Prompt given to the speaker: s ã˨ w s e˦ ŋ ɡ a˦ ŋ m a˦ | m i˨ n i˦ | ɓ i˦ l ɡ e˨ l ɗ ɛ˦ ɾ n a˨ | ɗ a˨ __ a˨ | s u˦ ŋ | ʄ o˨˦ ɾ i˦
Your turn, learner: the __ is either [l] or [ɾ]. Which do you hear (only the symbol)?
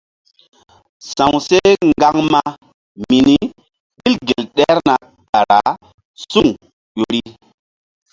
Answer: ɾ